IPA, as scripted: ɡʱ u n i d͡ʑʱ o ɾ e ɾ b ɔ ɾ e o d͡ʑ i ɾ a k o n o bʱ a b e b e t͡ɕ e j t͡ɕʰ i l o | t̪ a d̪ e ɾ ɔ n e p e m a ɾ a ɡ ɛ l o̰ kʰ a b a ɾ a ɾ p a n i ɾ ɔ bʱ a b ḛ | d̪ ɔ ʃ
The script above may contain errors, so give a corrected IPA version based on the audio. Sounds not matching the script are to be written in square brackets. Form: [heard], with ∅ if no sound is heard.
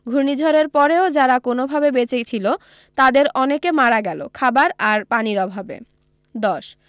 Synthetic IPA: ɡʱ u n i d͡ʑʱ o ɾ e ɾ [p] ɔ ɾ e o d͡ʑ [a] ɾ a k o n o bʱ a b e b e t͡ɕ e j t͡ɕʰ i l o | t̪ a d̪ e ɾ ɔ n e [k] e m a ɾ a ɡ ɛ l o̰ kʰ a b a ɾ a ɾ p a n i ɾ ɔ bʱ a b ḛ | d̪ ɔ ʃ